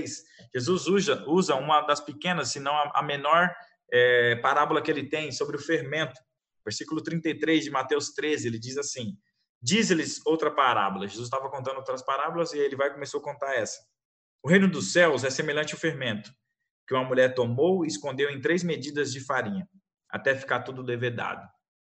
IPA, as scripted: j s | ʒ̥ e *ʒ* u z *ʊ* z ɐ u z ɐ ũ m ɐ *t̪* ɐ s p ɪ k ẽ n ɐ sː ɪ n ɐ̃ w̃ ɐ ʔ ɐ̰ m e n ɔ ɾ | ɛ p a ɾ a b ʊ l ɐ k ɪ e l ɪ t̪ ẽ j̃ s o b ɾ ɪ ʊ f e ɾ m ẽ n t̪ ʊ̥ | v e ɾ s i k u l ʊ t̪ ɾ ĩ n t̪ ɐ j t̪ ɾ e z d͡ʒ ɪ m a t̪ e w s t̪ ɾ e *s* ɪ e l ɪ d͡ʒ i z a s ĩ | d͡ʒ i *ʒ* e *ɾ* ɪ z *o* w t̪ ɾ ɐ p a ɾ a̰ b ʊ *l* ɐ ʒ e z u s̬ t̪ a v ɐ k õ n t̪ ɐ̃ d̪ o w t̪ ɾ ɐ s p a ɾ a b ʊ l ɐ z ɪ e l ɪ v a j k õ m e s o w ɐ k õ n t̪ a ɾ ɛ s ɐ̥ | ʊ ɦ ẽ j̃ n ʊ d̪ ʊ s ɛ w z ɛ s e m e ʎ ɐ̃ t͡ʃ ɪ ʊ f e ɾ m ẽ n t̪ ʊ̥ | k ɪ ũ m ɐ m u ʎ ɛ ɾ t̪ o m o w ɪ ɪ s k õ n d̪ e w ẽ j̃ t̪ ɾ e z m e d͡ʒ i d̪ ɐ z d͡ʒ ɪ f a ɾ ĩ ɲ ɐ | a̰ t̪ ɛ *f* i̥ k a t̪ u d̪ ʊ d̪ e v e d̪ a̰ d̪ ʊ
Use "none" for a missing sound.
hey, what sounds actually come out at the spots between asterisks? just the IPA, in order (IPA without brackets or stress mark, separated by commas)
z, u, d̪, z, z, l, o, l, f